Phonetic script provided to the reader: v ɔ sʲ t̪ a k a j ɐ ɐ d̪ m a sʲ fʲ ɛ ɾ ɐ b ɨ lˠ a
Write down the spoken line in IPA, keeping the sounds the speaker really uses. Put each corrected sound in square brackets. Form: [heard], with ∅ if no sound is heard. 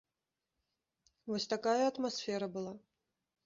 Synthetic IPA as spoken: v ɔ sʲ t̪ a k a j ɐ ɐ [t̪] m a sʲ fʲ ɛ ɾ ɐ b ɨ lˠ a